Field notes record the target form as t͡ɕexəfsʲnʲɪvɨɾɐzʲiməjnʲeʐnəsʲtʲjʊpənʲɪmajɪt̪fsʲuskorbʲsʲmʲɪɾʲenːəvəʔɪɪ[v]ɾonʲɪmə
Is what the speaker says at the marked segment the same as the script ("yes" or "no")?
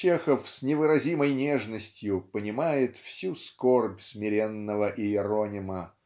no